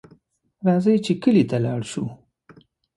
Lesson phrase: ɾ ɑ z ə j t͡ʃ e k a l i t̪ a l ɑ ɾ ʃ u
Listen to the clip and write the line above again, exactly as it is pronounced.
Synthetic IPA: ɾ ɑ z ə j t͡ʃ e k ə l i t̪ a l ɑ ɽ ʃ u